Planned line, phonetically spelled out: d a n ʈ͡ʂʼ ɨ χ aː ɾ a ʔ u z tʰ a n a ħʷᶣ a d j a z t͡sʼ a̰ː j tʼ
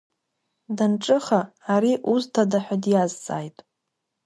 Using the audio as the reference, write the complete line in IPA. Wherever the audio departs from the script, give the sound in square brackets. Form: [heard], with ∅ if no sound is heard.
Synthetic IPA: d a n ʈ͡ʂʼ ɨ χ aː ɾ [i] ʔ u z tʰ a [d] a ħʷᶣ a d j a z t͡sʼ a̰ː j tʼ